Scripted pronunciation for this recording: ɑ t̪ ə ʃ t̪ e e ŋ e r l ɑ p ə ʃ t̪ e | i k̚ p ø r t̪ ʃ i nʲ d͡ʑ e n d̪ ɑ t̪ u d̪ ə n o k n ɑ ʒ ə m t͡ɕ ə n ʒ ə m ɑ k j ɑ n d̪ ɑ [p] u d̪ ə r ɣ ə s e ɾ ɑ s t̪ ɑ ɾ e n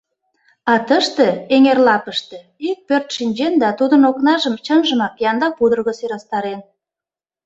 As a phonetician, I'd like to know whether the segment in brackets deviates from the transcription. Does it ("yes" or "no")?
no